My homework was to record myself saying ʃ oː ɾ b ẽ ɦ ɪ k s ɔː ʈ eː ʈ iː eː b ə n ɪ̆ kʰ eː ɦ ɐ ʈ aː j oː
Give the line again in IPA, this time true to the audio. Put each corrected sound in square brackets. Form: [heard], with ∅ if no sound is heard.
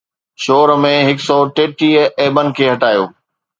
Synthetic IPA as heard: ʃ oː ɾ [m] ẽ ɦ ɪ k s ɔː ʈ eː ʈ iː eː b ə n ɪ̆ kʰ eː ɦ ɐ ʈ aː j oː